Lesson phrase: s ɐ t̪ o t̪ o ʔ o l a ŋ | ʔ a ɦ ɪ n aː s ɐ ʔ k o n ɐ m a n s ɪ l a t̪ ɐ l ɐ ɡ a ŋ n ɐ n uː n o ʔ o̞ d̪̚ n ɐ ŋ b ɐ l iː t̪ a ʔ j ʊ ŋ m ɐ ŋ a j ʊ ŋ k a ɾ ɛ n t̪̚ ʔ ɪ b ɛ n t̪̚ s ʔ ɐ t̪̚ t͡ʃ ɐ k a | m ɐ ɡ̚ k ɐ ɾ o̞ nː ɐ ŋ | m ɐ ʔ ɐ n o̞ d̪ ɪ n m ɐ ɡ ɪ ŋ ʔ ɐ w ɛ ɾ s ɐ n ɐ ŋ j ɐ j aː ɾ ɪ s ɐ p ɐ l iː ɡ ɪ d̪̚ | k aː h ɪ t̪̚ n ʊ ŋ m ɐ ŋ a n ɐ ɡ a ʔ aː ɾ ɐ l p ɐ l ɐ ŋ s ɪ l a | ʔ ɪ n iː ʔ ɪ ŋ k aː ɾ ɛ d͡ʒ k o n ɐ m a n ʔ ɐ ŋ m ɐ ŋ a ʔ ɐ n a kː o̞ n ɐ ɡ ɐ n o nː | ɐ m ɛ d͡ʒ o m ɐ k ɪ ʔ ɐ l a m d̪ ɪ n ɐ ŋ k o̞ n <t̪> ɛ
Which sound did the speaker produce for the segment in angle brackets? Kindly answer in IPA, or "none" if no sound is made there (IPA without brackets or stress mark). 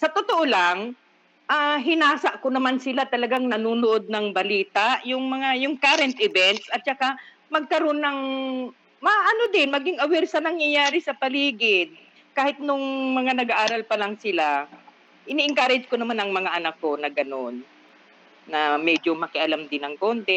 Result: t̪